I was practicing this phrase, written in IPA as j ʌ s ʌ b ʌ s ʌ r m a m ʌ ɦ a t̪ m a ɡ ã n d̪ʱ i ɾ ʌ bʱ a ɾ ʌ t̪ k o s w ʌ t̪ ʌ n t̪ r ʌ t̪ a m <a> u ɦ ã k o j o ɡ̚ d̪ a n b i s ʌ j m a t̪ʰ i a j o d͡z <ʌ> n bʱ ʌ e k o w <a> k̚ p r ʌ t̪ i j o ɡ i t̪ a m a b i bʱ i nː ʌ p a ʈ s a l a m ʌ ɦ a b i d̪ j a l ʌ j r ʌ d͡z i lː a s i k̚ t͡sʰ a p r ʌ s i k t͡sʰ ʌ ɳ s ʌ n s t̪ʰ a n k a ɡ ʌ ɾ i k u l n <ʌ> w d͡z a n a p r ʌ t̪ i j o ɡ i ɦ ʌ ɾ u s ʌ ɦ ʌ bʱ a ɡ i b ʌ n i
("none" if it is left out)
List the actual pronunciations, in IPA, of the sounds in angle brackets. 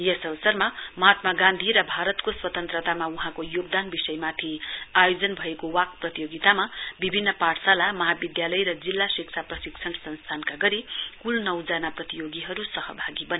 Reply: a, ʌ, a, ʌ

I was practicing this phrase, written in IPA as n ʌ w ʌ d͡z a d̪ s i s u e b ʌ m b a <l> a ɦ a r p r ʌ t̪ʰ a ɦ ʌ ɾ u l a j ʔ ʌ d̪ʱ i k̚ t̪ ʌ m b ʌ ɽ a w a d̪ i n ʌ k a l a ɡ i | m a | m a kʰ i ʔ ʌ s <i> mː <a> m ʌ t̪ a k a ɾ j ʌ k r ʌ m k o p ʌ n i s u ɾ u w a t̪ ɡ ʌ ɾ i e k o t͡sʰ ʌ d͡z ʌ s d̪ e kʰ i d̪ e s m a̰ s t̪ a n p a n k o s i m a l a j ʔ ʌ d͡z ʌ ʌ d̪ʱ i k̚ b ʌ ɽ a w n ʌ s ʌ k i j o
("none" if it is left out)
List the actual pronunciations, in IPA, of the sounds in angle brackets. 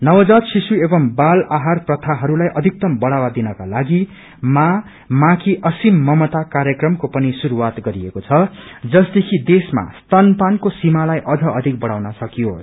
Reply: l, i, ʌ

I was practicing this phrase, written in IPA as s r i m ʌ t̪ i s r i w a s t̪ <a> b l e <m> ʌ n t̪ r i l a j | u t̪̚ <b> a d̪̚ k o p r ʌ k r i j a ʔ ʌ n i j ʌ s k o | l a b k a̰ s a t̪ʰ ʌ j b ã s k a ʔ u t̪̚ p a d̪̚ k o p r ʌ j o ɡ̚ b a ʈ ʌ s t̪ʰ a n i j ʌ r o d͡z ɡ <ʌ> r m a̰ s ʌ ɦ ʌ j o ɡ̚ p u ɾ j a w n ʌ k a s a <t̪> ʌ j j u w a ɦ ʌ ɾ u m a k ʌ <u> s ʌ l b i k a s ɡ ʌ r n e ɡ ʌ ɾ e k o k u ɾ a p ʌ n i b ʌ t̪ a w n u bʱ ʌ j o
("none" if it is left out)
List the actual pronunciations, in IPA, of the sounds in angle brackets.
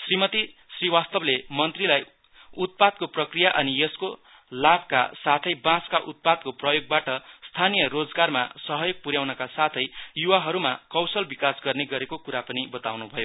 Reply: ʌ, m, p, a, t̪ʰ, w

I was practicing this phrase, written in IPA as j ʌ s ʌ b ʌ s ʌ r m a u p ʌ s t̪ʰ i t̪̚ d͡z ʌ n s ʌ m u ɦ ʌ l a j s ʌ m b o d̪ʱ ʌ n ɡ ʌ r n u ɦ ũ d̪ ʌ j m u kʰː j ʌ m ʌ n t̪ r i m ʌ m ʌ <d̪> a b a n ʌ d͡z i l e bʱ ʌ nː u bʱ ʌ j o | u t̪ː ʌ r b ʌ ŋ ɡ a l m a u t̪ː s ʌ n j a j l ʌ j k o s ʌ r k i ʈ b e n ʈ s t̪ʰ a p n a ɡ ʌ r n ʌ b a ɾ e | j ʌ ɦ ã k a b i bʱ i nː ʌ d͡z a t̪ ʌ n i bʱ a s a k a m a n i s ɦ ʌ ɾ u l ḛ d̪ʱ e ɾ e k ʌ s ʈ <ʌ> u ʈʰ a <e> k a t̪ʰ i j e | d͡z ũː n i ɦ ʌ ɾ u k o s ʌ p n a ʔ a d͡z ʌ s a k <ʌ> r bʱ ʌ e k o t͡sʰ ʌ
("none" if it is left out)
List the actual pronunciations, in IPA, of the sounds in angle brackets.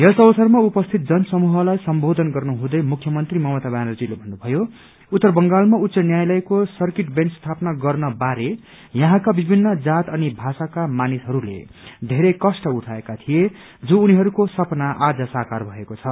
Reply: t̪, ʌ, e, a

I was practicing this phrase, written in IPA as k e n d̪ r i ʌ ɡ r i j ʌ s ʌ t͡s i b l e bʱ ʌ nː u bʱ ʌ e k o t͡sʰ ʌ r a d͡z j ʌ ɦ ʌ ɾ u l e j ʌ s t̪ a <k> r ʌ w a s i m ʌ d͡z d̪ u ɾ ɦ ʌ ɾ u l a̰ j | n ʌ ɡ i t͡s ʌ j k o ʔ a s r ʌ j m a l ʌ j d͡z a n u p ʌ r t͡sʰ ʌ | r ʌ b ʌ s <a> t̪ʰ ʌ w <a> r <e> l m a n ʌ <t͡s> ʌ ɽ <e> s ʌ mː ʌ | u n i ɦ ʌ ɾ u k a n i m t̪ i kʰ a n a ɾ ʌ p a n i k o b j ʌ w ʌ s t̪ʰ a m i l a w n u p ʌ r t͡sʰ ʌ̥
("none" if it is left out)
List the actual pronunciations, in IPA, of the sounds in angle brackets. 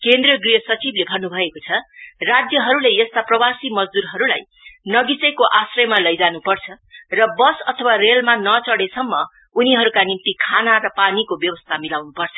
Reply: p, ʌ, a, e, t͡s, e

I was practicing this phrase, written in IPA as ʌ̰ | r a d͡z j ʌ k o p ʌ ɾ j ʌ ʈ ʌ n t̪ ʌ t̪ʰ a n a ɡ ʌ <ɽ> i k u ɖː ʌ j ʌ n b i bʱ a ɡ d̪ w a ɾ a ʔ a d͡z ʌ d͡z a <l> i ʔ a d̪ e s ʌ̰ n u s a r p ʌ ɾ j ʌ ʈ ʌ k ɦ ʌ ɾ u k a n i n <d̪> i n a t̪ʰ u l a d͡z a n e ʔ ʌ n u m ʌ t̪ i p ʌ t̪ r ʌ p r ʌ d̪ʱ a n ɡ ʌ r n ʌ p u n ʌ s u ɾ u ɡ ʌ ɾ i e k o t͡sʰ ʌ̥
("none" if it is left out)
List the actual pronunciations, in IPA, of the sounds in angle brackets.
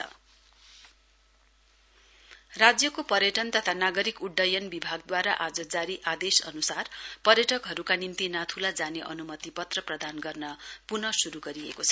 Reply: ɾ, ɾ, t̪

